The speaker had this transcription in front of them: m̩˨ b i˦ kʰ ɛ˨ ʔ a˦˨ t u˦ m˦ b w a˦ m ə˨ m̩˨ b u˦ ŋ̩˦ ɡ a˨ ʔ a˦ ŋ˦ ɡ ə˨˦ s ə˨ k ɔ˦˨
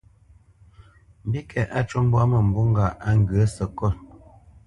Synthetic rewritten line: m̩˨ b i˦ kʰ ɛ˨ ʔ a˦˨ t͡ʃ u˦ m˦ b w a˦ m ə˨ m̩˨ b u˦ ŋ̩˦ ɡ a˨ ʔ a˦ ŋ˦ ɡ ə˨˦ s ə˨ k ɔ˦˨